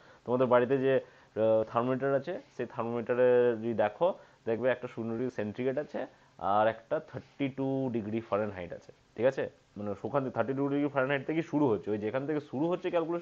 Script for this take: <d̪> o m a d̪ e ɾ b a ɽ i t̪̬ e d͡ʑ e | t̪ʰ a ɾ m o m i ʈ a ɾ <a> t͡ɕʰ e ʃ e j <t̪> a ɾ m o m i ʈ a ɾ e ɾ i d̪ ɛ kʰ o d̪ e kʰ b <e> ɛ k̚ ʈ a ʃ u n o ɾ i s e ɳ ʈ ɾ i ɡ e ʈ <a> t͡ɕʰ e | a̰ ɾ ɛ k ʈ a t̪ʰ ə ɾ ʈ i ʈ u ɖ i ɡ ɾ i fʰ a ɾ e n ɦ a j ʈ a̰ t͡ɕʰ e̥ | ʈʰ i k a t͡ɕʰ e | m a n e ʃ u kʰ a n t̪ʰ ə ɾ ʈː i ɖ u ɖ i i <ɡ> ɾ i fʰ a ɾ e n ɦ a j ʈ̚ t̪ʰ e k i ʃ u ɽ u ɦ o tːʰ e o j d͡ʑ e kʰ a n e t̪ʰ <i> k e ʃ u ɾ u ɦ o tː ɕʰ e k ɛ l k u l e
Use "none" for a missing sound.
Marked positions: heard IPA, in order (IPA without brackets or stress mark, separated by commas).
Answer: t̪, a, t̪ʰ, e, a, ɡ, e